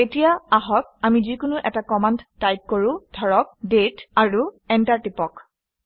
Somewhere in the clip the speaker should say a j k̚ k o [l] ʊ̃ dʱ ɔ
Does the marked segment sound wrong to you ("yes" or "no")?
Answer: yes